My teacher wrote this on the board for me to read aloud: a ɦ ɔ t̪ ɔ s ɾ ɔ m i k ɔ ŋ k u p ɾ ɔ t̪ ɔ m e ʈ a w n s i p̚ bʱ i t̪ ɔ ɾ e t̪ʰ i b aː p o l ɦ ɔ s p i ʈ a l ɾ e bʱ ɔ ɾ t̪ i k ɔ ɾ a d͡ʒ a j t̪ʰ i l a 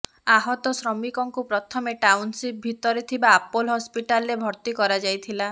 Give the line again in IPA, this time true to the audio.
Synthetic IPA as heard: a ɦ ɔ t̪ ɔ s ɾ ɔ m i k ɔ ŋ k u p ɾ ɔ t̪ʰ ɔ m e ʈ a w n s i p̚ bʱ i t̪ ɔ ɾ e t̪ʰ i b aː p o l ɦ ɔ s p i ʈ a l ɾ e bʱ ɔ ɾ t̪ i k ɔ ɾ a d͡ʒ a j t̪ʰ i l a

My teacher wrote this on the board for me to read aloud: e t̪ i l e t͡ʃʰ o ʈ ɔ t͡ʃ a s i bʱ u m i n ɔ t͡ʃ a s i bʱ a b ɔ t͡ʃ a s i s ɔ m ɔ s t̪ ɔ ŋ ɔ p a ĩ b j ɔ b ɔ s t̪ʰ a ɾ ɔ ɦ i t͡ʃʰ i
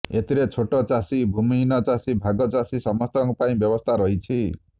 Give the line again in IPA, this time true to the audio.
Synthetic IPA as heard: e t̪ i ɾ e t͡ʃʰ o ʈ ɔ t͡ʃ a s i bʱ u m i n ɔ t͡ʃ a s i bʱ a ɡ ɔ t͡ʃ a s i s ɔ m ɔ s t̪ ɔ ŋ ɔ p a ĩ b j ɔ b ɔ s t̪ʰ a ɾ ɔ ɦ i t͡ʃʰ i

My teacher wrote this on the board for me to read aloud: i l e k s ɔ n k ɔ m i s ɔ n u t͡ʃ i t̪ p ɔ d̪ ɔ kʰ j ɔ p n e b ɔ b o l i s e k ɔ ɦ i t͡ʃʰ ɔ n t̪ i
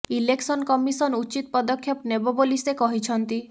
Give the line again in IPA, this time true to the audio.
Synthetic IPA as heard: i l e k s ɔ n k ɔ m i s ɔ n u t͡ʃ i t̪ p ɔ d̪ ɔ kʰ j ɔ p n e b ɔ b o l i s e k ɔ ɦ i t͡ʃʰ ɔ n t̪ i

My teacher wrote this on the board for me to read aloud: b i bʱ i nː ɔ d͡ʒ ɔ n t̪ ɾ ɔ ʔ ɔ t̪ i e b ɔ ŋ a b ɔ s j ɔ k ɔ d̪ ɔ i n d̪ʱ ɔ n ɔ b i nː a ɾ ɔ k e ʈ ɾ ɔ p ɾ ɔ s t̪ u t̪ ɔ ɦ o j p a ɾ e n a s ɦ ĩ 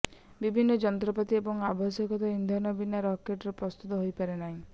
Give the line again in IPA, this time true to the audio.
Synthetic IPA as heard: b i bʱ i nː ɔ d͡ʒ ɔ n t̪ ɾ ɔ p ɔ t̪ i e b ɔ ŋ a b ɔ s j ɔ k ɔ t̪ ɔ i n d̪ʱ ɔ n ɔ b i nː a ɾ ɔ k e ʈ ɾ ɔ p ɾ ɔ s t̪ u t̪ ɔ ɦ o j p a ɾ e n a ɦ ĩ

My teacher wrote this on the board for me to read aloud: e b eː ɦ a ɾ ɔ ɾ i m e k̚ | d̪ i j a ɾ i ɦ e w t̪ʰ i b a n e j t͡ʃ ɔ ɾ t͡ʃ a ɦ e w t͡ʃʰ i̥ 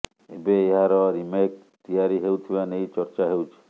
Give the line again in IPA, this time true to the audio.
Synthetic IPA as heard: e b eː ɦ a ɾ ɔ ɾ i m e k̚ | t̪ i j a ɾ i ɦ e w t̪ʰ i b a n e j t͡ʃ ɔ ɾ t͡ʃ a ɦ e w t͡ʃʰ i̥

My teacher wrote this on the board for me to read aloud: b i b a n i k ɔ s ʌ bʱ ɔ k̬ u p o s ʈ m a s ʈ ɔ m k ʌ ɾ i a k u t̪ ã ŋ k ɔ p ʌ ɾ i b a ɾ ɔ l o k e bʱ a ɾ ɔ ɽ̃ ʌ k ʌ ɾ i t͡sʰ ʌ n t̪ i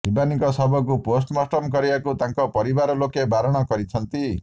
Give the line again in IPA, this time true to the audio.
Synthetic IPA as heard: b i b a n i k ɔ s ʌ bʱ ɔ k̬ u p o s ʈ m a s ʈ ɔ m k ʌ ɾ i a k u t̪ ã ŋ k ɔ p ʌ ɾ i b a ɾ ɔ l o k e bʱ a ɾ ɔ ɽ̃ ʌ k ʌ ɾ i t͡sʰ ʌ n t̪ i

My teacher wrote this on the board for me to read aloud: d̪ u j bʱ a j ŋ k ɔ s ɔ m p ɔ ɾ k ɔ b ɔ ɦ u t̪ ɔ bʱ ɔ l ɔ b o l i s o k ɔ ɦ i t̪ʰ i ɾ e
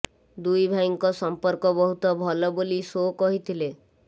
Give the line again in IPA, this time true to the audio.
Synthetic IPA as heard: d̪ u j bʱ a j ŋ k ɔ s ɔ m p ɔ ɾ k ɔ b ɔ ɦ u t̪ ɔ bʱ ɔ l ɔ b o l i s o k ɔ ɦ i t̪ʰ i l e

